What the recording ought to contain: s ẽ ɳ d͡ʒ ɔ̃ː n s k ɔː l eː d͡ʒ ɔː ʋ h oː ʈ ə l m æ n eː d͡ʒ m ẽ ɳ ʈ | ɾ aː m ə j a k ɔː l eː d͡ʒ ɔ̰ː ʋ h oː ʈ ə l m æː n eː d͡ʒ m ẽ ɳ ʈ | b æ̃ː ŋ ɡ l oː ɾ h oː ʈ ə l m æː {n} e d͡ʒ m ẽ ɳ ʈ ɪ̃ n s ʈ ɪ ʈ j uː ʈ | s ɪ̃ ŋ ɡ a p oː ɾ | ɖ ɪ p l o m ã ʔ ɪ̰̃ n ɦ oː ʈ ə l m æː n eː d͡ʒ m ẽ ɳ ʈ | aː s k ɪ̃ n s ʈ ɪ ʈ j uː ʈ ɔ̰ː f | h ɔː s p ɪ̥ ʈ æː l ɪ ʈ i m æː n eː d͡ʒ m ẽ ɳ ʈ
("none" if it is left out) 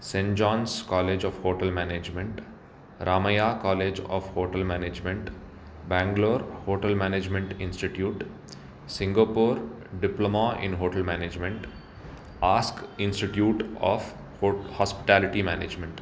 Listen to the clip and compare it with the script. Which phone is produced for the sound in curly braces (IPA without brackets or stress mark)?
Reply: n